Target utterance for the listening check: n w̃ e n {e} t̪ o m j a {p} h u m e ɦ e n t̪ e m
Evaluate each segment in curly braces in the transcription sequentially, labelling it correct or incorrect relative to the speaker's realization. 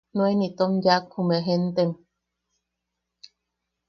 incorrect: i, incorrect: k

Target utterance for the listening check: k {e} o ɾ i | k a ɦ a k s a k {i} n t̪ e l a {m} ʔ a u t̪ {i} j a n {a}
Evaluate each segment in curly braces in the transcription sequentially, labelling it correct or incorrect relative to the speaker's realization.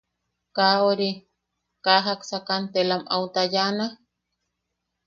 incorrect: a, incorrect: a, correct, incorrect: a, correct

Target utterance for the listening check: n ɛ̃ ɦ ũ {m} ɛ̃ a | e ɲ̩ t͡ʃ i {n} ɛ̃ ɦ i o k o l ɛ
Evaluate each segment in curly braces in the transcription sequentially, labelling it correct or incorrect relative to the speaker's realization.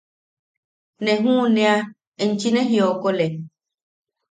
incorrect: n, correct

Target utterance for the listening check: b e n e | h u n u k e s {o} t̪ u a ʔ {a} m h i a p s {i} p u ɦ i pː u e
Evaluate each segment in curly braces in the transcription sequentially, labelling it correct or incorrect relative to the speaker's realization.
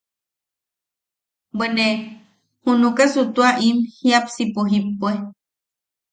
incorrect: u, incorrect: i, correct

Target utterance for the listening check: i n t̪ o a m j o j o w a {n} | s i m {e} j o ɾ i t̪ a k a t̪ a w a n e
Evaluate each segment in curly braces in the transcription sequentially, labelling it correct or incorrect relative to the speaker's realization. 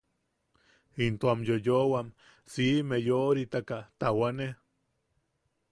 incorrect: m, correct

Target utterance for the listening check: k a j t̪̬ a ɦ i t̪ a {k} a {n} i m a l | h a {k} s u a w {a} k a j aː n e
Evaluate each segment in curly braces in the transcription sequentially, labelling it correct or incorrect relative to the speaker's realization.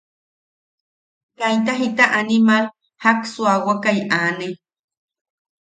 incorrect: ʔ, correct, correct, correct

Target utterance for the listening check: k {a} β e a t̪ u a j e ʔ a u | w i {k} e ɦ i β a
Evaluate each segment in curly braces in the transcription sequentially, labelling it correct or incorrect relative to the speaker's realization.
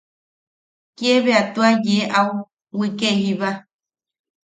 incorrect: e, correct

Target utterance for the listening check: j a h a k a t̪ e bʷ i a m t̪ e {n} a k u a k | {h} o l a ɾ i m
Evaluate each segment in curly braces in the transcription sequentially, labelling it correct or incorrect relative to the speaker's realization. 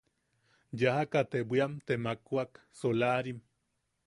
incorrect: m, incorrect: s

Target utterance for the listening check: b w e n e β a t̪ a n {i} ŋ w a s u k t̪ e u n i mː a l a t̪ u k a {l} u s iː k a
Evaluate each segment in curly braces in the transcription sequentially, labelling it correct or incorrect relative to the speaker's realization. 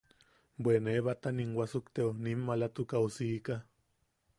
correct, incorrect: none

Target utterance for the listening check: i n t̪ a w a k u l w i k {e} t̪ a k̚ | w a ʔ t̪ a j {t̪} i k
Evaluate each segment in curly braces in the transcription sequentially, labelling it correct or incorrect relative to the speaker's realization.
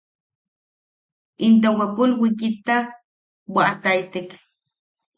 incorrect: i, correct

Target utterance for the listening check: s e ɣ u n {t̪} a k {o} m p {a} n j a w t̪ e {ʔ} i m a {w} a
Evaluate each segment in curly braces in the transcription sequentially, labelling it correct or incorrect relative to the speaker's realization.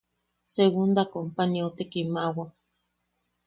incorrect: d̪, correct, correct, incorrect: k, correct

